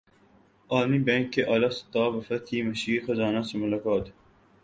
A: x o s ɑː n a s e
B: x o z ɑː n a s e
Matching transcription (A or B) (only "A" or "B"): B